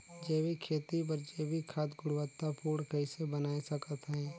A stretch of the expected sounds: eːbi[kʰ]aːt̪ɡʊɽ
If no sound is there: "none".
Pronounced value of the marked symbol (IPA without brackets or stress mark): kʰ